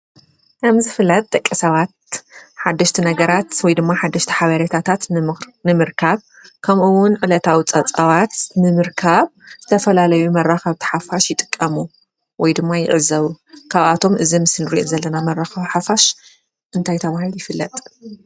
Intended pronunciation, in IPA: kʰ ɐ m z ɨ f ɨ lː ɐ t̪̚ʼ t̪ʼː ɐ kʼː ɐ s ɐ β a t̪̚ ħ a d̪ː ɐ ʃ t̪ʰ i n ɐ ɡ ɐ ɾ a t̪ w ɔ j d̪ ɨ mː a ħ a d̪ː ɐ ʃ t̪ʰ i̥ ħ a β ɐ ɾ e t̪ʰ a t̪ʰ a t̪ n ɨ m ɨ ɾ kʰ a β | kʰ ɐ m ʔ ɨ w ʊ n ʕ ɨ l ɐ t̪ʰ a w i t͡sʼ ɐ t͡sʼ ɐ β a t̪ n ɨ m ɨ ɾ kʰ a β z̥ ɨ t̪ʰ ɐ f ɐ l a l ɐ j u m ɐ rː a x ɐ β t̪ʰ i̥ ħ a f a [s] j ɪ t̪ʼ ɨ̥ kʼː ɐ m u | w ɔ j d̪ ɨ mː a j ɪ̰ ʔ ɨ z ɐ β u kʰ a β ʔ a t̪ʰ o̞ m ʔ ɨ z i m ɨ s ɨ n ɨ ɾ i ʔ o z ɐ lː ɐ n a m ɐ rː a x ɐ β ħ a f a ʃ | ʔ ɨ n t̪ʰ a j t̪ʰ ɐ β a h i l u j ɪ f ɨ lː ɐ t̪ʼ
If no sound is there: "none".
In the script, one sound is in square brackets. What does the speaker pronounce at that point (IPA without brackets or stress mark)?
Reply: ʃ